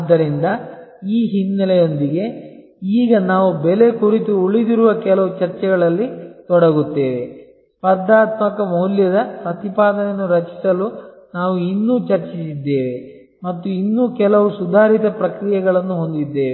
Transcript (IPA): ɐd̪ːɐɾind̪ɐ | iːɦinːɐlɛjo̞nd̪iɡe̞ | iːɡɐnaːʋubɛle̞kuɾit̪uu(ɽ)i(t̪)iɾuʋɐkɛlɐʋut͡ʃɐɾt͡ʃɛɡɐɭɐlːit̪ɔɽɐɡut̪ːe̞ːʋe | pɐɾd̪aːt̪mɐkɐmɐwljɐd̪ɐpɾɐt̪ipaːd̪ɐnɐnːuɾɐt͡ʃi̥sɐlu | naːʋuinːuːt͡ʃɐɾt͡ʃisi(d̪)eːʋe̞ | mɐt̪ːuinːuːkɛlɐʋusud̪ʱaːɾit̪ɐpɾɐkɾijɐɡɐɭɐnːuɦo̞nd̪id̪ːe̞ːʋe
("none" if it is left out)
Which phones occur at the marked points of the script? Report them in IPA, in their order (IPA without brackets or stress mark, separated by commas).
ɭ, d̪, d̪ː